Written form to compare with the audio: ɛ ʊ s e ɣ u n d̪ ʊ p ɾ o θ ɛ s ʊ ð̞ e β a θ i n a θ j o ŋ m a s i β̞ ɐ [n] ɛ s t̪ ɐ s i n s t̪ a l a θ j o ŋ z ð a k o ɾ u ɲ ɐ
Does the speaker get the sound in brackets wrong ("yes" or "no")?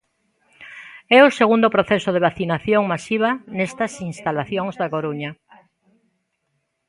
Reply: no